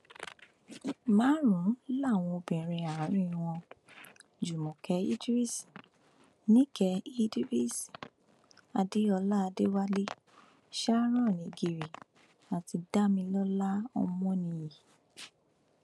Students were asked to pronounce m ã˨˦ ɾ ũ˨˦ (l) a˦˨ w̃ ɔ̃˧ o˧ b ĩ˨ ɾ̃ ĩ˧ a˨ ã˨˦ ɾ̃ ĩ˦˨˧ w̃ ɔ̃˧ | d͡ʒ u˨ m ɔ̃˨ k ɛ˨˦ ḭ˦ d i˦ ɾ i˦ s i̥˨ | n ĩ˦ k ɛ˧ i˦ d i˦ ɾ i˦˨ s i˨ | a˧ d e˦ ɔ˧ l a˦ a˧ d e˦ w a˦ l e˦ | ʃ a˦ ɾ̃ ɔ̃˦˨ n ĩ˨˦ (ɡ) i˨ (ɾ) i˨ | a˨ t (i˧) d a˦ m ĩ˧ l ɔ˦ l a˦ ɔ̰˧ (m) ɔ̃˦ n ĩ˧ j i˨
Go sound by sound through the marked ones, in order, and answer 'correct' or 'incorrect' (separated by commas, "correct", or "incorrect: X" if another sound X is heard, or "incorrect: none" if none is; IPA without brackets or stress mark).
correct, correct, correct, correct, correct